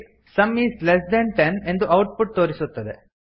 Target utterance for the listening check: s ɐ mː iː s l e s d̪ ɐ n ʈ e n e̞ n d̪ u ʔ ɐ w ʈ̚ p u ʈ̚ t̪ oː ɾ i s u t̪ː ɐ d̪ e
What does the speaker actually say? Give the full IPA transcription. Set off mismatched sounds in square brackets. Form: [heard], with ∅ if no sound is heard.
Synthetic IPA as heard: s ɐ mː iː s l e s d̪ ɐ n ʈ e n e̞ n d̪ u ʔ ɐ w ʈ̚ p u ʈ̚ t̪ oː ɾ i s u t̪ː ɐ d̪ e